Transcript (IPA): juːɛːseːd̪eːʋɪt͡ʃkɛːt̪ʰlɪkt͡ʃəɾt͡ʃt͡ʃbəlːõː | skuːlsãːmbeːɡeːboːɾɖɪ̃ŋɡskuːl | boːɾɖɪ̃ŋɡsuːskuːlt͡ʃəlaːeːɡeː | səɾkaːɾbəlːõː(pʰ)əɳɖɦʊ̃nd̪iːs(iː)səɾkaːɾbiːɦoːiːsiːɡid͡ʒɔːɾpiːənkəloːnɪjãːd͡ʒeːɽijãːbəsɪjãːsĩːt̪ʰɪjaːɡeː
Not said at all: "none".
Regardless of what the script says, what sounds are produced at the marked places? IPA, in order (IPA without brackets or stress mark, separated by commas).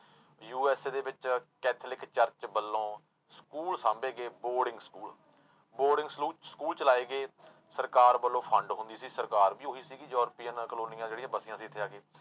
pʰ, iː